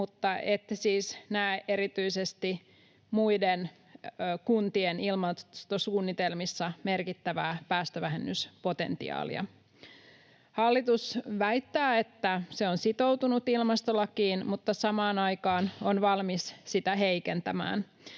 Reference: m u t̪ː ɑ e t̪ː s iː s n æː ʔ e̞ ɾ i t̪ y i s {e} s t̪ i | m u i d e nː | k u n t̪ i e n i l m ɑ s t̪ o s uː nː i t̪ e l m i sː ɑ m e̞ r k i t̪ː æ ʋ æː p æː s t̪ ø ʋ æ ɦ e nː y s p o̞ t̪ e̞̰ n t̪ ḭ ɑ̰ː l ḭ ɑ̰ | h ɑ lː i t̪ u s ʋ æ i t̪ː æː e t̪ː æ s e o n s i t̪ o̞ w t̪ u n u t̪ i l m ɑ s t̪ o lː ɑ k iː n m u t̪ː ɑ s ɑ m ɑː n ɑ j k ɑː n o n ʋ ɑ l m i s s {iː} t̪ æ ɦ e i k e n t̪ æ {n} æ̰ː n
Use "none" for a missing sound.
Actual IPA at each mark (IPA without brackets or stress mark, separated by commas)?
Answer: e, i, m